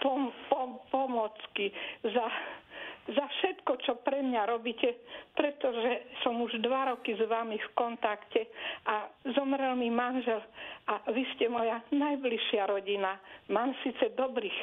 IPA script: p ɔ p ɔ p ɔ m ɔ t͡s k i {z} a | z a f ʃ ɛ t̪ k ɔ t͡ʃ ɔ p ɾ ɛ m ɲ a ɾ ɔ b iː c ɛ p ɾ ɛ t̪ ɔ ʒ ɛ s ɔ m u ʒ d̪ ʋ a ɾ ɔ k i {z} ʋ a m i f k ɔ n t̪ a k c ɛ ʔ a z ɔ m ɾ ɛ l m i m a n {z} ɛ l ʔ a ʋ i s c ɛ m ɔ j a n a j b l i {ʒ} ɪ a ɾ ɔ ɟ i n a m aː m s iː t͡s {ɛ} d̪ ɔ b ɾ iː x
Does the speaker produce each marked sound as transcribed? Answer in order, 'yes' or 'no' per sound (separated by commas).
yes, yes, no, no, yes